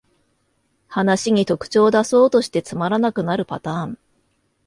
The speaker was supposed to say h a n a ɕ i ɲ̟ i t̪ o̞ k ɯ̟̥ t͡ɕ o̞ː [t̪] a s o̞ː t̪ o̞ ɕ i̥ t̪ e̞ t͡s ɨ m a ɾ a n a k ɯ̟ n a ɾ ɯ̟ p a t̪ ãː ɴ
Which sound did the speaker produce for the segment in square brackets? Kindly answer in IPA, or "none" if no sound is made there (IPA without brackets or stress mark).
d̪